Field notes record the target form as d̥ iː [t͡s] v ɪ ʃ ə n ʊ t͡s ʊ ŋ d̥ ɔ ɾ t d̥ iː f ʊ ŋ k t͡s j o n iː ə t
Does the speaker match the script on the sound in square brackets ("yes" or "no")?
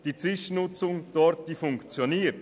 yes